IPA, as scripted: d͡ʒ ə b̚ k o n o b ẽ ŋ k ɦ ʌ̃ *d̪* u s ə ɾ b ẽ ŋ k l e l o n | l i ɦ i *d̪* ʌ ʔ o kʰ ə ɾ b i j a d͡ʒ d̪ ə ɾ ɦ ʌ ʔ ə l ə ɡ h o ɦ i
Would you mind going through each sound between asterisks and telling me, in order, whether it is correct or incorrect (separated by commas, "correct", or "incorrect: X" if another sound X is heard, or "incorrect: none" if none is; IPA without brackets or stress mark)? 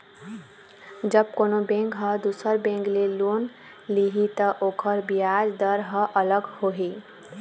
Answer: correct, incorrect: t̪